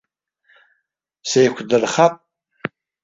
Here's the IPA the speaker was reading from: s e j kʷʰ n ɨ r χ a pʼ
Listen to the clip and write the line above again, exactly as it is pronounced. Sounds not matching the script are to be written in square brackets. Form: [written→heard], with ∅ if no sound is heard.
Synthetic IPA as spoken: s e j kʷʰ [n→d] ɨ r χ a pʼ